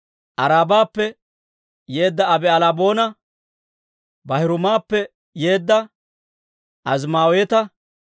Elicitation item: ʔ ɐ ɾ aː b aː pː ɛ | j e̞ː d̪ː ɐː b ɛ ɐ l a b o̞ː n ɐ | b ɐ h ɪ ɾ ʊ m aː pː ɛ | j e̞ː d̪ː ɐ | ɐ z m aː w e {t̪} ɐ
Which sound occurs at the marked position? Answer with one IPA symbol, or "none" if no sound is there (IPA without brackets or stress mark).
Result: t̪